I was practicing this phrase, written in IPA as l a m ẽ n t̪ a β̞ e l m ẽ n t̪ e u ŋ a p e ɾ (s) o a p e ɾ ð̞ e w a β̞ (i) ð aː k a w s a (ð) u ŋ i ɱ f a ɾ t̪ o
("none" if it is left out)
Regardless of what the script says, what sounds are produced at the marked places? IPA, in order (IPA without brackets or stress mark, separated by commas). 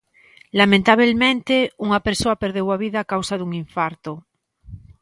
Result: s, i, ð